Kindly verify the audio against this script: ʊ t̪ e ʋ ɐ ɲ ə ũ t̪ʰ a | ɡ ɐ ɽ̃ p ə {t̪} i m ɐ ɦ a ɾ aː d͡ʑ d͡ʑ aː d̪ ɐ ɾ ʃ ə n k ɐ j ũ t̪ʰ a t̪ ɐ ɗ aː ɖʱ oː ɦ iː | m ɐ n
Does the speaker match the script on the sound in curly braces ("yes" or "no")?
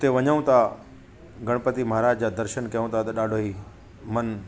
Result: yes